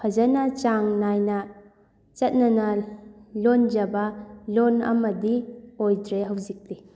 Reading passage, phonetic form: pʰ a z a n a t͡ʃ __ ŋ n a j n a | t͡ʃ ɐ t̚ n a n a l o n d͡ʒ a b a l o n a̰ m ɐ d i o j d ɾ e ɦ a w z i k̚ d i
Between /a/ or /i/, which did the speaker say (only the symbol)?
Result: a